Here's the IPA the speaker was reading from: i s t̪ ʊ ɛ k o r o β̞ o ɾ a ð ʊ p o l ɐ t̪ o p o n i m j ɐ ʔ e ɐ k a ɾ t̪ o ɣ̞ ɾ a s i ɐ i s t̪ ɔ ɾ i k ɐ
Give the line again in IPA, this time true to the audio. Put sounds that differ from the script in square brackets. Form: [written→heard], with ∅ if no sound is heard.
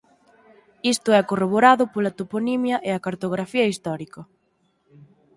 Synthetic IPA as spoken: i s t̪ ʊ ɛ k o r o β̞ o ɾ a ð ʊ p o l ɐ t̪ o p o n i m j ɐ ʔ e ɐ k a ɾ t̪ o ɣ̞ ɾ a [s→f] i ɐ i s t̪ ɔ ɾ i k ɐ